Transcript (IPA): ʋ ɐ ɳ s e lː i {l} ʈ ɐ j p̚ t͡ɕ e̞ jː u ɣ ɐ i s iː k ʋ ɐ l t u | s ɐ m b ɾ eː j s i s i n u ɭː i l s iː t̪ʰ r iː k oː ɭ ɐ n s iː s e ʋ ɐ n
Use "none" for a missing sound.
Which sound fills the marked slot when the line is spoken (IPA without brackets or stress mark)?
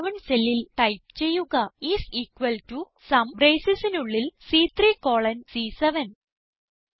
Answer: l